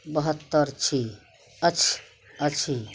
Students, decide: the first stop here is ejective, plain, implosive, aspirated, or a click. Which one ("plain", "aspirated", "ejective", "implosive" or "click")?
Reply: plain